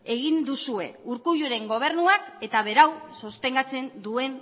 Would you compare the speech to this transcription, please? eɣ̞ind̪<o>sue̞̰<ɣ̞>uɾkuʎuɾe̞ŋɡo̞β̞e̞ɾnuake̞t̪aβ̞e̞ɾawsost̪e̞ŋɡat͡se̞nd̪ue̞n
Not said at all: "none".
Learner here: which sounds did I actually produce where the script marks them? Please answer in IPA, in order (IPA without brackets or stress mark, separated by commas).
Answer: u, none